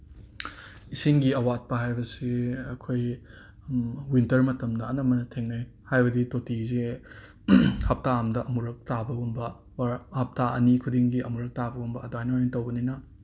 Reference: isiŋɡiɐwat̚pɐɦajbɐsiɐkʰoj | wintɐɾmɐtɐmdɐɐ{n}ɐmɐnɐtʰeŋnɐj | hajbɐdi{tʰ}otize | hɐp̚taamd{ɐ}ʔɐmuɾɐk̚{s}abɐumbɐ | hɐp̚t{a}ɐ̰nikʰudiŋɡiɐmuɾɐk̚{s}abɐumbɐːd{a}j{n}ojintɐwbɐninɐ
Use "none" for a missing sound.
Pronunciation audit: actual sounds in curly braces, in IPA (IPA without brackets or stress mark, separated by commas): n, t, ɐ, t, a, t, a, n